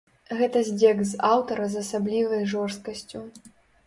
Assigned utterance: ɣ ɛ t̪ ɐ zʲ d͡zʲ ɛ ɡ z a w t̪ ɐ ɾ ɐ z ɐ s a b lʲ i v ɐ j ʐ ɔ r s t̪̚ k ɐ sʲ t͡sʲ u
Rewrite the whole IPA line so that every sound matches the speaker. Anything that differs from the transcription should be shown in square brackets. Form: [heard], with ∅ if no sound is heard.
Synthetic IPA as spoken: ɣ ɛ t̪ ɐ zʲ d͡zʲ ɛ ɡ z a w t̪ ɐ ɾ ɐ z ɐ s a b lʲ i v ɐ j ʐ ɔ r s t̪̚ k ɐ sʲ t͡sʲ u